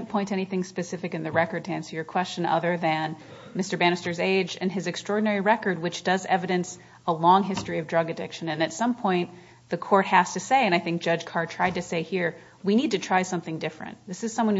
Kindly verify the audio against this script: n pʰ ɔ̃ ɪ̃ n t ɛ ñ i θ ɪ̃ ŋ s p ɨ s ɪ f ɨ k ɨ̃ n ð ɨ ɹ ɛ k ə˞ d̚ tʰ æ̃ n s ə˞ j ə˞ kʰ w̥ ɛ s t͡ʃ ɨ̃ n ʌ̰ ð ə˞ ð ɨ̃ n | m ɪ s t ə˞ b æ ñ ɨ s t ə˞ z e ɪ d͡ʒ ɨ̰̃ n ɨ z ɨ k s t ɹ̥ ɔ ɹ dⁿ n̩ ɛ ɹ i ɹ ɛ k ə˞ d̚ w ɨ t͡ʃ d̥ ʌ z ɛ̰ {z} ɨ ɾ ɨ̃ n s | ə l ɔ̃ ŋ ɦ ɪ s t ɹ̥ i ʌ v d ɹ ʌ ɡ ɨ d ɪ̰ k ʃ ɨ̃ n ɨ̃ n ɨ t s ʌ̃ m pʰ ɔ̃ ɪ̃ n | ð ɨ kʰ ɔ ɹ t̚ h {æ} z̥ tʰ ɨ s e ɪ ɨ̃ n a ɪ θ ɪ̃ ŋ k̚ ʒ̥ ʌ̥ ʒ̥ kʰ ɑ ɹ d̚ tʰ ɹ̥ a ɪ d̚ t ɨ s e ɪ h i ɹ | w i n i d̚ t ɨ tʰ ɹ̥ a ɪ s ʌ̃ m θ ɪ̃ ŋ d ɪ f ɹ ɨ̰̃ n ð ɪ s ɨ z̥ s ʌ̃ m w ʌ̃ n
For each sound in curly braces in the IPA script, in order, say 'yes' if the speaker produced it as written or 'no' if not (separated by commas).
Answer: no, yes